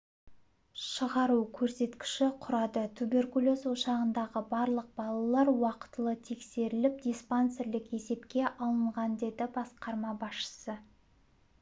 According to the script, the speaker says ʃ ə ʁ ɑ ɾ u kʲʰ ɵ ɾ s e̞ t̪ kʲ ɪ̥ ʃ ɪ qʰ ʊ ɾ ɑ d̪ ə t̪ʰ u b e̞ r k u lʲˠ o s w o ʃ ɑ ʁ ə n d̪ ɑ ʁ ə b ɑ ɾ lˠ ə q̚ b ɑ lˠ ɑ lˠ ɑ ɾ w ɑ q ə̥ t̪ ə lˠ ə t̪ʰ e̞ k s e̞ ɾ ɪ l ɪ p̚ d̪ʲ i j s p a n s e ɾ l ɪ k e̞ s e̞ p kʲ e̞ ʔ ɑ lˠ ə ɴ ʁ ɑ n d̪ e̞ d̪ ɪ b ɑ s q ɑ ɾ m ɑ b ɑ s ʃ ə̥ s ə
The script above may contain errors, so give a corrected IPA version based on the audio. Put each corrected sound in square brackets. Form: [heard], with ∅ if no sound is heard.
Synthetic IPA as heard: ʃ ə ʁ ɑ ɾ u kʲʰ ɵ ɾ s e̞ t̪ kʲ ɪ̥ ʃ ɪ qʰ ʊ ɾ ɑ d̪ ə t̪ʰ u b e̞ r k u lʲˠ o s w o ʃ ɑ ʁ ə n d̪ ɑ ʁ ə b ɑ ɾ lˠ ə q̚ b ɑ lˠ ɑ lˠ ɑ ɾ w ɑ q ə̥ t̪ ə lˠ ə t̪ʰ e̞ k s e̞ ɾ ɪ l ɪ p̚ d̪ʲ i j s p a n s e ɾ l ɪ k e̞ s e̞ p kʲ e̞ ʔ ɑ lˠ ə ɴ ʁ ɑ n d̪ e̞ d̪ ɪ b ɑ s q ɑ ɾ m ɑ b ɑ s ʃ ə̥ s ə